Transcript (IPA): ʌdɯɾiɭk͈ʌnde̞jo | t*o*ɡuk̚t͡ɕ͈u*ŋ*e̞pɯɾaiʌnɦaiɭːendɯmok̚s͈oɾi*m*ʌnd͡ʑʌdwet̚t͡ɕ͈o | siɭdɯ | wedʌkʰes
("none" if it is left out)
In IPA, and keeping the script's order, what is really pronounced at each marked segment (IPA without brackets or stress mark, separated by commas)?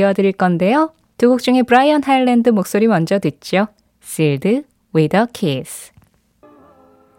u, ŋ, m